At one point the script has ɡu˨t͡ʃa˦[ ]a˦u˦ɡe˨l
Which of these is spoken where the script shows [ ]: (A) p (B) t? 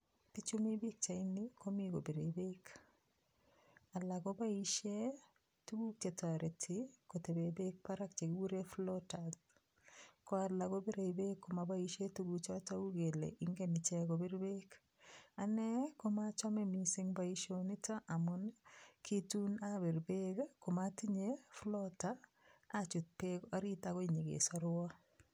B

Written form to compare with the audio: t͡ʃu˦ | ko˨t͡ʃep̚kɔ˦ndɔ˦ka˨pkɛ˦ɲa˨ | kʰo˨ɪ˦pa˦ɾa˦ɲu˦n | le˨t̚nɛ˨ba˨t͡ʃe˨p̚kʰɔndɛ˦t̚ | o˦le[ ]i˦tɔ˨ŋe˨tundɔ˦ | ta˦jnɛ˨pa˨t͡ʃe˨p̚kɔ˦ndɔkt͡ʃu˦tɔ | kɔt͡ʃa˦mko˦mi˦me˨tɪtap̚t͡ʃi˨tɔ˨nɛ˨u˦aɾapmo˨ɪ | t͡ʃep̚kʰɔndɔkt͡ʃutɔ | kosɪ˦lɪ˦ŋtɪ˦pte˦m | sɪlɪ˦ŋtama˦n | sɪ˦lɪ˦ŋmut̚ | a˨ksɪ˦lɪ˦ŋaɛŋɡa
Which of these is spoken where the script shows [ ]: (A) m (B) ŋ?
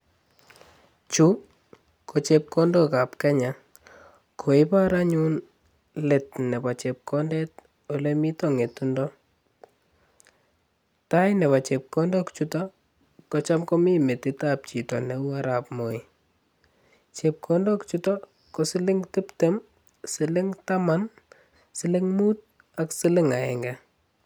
A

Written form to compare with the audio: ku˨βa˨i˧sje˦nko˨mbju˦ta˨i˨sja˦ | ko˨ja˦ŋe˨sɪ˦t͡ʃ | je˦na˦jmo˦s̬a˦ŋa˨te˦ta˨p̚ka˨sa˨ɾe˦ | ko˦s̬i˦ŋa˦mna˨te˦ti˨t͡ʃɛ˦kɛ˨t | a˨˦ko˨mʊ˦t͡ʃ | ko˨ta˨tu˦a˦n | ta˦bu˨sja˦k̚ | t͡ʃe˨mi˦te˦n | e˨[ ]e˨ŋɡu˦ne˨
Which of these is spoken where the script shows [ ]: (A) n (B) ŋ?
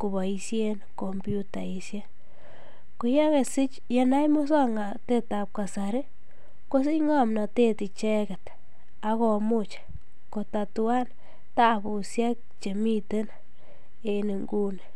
A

